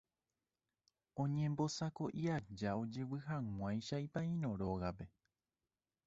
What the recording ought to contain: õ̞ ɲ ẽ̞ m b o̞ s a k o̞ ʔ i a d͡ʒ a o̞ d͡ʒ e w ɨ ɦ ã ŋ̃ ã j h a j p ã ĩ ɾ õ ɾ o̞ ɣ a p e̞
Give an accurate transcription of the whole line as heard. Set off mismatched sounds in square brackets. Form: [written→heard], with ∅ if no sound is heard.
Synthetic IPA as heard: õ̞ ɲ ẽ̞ m b o̞ s a k o̞ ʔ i a d͡ʒ a o̞ d͡ʒ e w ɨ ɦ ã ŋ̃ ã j [h→ʃ] a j p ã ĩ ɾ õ ɾ o̞ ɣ a p e̞

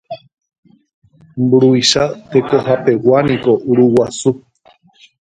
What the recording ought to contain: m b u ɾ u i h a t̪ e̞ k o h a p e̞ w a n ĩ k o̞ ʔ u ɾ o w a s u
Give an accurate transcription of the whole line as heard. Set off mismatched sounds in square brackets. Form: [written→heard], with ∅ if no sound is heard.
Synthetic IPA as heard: m b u ɾ u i [h→ʃ] a t̪ e̞ k o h a p e̞ w a n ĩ k o̞ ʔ u ɾ [o→u] w a s u

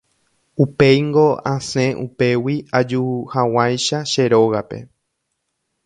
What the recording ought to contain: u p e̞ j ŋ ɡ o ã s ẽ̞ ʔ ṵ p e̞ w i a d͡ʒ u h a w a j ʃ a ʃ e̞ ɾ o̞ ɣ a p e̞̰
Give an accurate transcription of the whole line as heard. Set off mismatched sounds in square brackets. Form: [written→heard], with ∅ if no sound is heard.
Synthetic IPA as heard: u p e̞ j ŋ ɡ o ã s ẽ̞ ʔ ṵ p e̞ w i a d͡ʒ u h a w a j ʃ a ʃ e̞ ɾ o̞ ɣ a p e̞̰

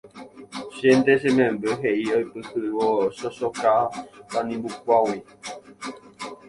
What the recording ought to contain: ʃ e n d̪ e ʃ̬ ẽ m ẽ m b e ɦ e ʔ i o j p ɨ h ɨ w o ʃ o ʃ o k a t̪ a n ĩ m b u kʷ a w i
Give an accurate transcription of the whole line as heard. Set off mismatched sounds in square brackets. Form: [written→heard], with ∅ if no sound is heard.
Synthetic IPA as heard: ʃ e n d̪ e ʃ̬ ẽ m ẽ m b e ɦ e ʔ i o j p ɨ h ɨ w o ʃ o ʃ o k a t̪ a n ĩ m b u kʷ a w i

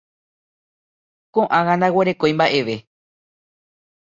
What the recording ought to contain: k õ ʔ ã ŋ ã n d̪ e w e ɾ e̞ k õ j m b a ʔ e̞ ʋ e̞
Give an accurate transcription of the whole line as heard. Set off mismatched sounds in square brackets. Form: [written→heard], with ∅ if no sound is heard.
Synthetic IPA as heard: k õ ʔ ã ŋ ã n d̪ [e→a] w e ɾ e̞ k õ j m b a ʔ e̞ ʋ e̞

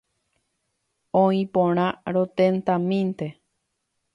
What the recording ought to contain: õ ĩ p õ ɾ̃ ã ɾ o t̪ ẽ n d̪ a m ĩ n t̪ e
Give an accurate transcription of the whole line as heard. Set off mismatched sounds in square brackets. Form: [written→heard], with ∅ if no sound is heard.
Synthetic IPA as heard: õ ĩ p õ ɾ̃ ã ɾ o t̪ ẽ n [d̪→t̪] a m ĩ n t̪ e

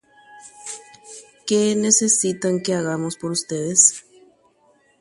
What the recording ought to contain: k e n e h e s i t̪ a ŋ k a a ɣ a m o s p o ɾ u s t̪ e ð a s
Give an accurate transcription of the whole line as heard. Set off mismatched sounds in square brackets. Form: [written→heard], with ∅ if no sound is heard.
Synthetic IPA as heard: k e n e [h→s] e s i t̪ a ŋ k [a→e] a ɣ a m o s p o ɾ u s t̪ e ð [a→e] s

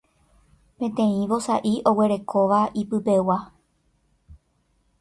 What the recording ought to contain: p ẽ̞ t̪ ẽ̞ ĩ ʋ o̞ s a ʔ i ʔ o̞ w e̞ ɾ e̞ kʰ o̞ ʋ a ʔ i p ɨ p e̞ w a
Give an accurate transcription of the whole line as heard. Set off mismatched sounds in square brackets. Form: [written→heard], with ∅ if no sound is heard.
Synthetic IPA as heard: p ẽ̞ t̪ ẽ̞ ĩ ʋ o̞ s a ʔ i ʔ o̞ w e̞ ɾ e̞ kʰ o̞ ʋ a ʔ i p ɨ p e̞ w a

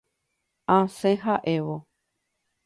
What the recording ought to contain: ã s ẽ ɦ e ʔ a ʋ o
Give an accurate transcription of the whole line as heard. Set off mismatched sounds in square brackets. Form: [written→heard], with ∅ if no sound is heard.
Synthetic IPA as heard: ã s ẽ ɦ [e→a] ʔ [a→e] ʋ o

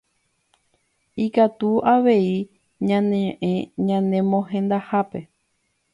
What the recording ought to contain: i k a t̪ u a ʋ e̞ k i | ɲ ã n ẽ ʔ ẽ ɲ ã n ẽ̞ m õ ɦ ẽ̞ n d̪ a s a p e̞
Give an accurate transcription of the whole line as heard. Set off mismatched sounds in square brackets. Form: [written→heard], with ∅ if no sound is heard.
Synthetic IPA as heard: i k a t̪ u a ʋ e̞ [k→∅] i | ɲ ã n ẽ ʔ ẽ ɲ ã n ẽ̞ m õ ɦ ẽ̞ n d̪ a [s→h] a p e̞

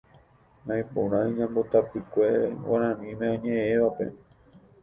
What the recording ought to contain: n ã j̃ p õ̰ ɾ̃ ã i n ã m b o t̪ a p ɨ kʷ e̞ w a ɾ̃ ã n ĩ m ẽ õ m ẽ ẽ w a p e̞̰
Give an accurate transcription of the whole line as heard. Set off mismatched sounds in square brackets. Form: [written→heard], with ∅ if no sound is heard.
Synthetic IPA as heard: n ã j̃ p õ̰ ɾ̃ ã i [n→ɲ] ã m b o t̪ a p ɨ kʷ e̞ w a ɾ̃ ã n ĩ m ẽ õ [m→ɲ] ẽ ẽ [w→ʋ] a p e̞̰

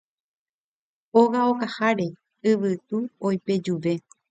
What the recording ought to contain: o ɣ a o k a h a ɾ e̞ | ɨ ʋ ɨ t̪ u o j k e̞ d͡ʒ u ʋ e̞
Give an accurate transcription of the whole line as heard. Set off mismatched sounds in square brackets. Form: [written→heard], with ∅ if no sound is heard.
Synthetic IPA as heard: o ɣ a o k a h a ɾ e̞ | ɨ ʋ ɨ t̪ u o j [k→p] e̞ d͡ʒ u ʋ e̞

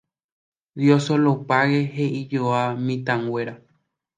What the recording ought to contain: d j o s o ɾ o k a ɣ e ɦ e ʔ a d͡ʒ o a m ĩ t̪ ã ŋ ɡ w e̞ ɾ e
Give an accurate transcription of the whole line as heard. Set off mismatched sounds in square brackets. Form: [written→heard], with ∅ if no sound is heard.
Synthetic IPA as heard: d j o s o [ɾ→l] o [k→p] a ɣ e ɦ e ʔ [a→i] d͡ʒ o a m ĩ t̪ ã ŋ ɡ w e̞ ɾ [e→a]

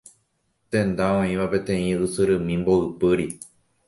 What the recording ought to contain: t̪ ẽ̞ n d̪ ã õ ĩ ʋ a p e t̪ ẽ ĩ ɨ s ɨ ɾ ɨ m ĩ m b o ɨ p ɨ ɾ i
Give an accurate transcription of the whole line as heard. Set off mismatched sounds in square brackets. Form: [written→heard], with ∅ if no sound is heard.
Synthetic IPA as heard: t̪ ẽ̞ n d̪ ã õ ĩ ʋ a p e t̪ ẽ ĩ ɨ s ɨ ɾ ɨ m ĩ m b o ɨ p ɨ ɾ i

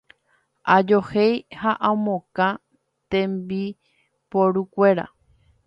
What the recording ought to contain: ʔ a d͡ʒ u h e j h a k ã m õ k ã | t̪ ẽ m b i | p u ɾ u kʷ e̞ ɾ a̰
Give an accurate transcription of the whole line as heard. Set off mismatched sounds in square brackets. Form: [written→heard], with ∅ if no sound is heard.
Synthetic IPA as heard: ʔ a d͡ʒ [u→o] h e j h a [k→ʔ] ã m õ k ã | t̪ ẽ m b i | p [u→o] ɾ u kʷ e̞ ɾ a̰

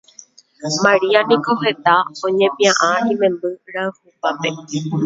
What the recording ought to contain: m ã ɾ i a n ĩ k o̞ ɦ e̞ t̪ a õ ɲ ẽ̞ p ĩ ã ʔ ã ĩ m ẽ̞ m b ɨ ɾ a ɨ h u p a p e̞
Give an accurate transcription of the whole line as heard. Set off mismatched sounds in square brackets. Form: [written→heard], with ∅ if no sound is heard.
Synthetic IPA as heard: m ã ɾ i a n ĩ k o̞ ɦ e̞ t̪ a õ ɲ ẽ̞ p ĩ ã ʔ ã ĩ m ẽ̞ m b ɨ ɾ a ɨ h u p a p e̞

